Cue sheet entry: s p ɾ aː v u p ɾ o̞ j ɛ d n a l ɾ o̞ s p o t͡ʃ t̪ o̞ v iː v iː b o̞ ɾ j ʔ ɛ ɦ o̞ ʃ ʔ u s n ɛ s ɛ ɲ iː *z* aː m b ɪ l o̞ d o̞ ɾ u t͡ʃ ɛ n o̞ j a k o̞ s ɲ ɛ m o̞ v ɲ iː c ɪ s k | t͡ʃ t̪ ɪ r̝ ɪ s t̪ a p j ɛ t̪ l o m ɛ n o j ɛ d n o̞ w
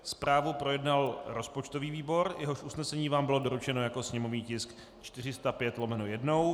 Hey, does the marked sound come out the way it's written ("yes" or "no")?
no